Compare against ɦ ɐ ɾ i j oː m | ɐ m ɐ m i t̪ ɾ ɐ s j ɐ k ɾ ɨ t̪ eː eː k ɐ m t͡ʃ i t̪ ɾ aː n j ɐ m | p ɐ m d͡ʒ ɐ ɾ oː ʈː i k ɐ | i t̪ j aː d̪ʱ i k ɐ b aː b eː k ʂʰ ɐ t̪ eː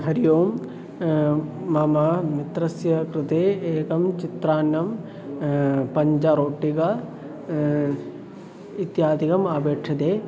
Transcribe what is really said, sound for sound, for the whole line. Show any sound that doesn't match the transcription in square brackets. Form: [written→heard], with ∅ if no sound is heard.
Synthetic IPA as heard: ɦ ɐ ɾ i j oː m | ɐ m ɐ m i t̪ ɾ ɐ s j ɐ k ɾ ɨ t̪ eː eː k ɐ m t͡ʃ i t̪ ɾ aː n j ɐ m | p ɐ [m→ɲ] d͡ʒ ɐ ɾ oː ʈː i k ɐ | i t̪ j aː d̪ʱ i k ɐ [b→m] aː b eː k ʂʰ ɐ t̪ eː